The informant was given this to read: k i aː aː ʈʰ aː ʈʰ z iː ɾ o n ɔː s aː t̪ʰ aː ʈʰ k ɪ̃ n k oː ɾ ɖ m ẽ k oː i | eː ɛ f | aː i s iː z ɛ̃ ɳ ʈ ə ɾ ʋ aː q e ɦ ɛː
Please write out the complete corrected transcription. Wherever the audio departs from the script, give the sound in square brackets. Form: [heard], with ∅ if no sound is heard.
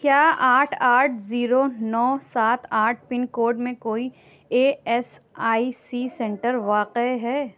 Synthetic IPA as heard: k [j] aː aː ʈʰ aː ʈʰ z iː ɾ o n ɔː s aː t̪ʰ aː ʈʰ [p] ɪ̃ n k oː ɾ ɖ m ẽ k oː i | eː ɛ [s] | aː i s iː [s] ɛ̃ ɳ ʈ ə ɾ ʋ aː q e ɦ ɛː

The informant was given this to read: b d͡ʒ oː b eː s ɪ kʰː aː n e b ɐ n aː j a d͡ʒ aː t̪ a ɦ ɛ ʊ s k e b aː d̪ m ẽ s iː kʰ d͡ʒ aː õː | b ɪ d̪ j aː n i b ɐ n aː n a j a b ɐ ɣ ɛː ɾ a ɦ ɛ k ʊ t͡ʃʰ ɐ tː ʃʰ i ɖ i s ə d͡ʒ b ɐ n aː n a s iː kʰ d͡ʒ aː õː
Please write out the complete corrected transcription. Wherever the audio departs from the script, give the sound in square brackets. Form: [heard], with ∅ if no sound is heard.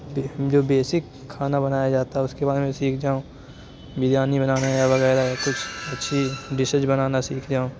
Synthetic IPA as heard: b d͡ʒ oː b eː s ɪ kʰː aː n [a] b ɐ n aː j a d͡ʒ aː t̪ a ɦ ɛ ʊ s k e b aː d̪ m ẽ s iː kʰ d͡ʒ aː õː | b ɪ d̪ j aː n i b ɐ n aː n a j a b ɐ ɣ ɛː ɾ a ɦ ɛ k ʊ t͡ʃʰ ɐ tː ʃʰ i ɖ [ɪ] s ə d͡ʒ b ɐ n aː n a s iː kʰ d͡ʒ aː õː

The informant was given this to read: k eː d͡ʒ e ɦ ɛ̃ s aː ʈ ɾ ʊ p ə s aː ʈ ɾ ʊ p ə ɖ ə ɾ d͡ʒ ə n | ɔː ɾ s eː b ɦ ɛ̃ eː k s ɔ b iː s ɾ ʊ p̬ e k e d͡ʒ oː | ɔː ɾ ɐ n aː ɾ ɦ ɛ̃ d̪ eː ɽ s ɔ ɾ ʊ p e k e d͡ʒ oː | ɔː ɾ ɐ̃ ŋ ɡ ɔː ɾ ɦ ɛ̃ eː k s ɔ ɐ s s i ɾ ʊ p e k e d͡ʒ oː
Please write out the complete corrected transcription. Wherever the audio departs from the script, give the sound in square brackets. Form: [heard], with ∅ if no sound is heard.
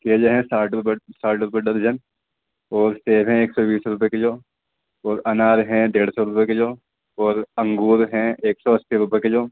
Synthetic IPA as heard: k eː d͡ʒ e ɦ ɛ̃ s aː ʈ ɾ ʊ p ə s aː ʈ ɾ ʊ p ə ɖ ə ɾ d͡ʒ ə n | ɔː ɾ s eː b ɦ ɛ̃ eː k s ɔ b iː s ɾ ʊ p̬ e k e d͡ʒ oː | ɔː ɾ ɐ n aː ɾ ɦ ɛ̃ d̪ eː ɽ s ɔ ɾ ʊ p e k e d͡ʒ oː | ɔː ɾ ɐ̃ ŋ ɡ [uː] ɾ ɦ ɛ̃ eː k s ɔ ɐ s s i ɾ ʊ p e k e d͡ʒ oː

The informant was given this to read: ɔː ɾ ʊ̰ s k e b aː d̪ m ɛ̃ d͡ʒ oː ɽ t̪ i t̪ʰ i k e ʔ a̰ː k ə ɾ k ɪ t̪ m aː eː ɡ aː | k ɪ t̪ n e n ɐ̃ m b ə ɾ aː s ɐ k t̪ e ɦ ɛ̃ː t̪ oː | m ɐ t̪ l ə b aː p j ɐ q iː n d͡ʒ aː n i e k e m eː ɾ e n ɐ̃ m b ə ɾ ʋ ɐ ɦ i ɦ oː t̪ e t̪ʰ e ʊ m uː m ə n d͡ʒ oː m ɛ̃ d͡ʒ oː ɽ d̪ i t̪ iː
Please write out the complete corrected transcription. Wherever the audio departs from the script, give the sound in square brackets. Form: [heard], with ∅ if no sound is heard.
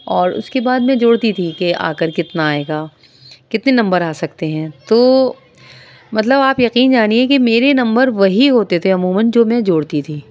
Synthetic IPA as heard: ɔː ɾ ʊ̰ s k e b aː d̪ m ɛ̃ d͡ʒ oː ɽ t̪ i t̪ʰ i k e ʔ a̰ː k ə ɾ k ɪ t̪ [n] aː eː ɡ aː | k ɪ t̪ n e n ɐ̃ m b ə ɾ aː s ɐ k t̪ e ɦ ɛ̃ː t̪ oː | m ɐ t̪ l ə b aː p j ɐ q iː n d͡ʒ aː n i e k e m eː ɾ e n ɐ̃ m b ə ɾ ʋ ɐ ɦ i ɦ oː t̪ e t̪ʰ e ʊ m uː m ə n d͡ʒ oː m ɛ̃ d͡ʒ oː ɽ [t̪] i [t̪ʰ] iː

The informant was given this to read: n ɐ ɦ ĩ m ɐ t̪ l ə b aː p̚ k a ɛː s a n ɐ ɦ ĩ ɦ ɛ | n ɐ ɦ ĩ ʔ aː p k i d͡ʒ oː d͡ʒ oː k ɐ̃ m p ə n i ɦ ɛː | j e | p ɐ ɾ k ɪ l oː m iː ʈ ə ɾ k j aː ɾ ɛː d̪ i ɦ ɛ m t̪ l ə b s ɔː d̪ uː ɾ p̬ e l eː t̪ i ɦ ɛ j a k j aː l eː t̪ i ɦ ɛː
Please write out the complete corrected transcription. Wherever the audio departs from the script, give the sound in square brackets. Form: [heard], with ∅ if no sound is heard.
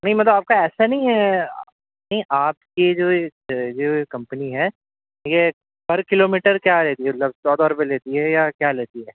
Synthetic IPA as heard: n ɐ ɦ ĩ m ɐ t̪ l ə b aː p̚ k a ɛː s a n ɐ ɦ ĩ ɦ ɛ | n ɐ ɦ ĩ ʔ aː p k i d͡ʒ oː d͡ʒ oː k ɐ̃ m p ə n i ɦ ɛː | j e | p ɐ ɾ k ɪ l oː m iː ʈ ə ɾ k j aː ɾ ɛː [t̪] i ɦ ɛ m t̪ l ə b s ɔː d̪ [ɔː] ɾ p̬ e l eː t̪ i ɦ ɛ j a k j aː l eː t̪ i ɦ ɛː

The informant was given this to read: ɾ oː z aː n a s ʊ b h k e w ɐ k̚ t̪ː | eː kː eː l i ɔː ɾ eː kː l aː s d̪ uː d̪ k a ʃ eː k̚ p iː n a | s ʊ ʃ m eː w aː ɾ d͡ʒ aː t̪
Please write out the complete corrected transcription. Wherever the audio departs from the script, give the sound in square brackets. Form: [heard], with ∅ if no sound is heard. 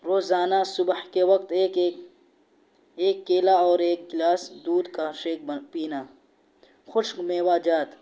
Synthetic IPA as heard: ɾ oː z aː n a s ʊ b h k e w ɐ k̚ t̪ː | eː kː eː l [a] ɔː ɾ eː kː l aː s d̪ uː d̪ k a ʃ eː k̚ p iː n a | [x] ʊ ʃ m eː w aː [∅] d͡ʒ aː t̪

